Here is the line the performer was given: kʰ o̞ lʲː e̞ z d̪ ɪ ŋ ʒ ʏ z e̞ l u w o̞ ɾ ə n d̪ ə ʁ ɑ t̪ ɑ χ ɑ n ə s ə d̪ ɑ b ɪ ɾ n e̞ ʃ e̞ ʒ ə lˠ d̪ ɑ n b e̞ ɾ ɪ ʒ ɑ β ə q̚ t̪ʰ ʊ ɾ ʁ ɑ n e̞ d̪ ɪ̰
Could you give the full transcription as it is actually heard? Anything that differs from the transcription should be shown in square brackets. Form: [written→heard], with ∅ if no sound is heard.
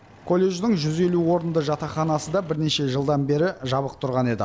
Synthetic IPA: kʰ o̞ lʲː e̞ [z→ʒ] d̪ ɪ ŋ ʒ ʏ z e̞ l u w o̞ ɾ ə n d̪ ə [ʁ→ʒ] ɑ t̪ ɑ χ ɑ n [ə→ɑ] s ə d̪ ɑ b ɪ ɾ n e̞ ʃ e̞ ʒ ə lˠ d̪ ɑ n b e̞ ɾ ɪ ʒ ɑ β ə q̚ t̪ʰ ʊ ɾ ʁ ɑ n e̞ d̪ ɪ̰